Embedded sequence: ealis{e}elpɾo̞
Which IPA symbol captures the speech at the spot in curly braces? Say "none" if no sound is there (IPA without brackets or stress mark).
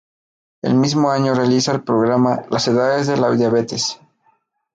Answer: a